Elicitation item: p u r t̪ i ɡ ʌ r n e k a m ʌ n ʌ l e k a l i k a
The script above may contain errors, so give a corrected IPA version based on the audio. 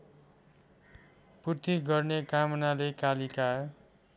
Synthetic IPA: p u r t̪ i ɡ ʌ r n e k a m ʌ n a l e k a l i k a